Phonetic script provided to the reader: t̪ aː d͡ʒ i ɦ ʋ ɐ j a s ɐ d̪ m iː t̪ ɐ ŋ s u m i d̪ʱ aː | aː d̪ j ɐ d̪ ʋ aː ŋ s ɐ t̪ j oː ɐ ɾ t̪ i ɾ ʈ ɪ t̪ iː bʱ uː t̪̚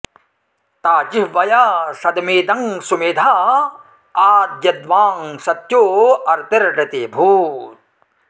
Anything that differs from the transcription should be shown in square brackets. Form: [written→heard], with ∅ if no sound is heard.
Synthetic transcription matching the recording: t̪ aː d͡ʒ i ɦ ʋ ɐ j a s ɐ d̪ m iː [t̪→d̪] ɐ ŋ s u m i d̪ʱ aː | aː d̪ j ɐ d̪ ʋ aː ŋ s ɐ t̪ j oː ɐ ɾ t̪ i ɾ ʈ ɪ t̪ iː bʱ uː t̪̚